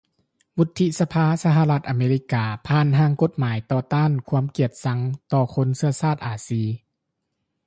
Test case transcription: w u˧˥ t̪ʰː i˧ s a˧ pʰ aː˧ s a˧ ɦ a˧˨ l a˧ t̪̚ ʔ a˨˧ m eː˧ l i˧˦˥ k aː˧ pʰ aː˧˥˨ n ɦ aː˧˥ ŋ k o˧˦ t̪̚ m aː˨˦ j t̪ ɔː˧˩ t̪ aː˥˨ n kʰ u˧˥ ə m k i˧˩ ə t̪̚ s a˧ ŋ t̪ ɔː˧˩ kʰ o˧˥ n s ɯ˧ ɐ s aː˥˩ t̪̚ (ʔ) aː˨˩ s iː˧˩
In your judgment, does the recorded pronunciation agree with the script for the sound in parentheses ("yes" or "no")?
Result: yes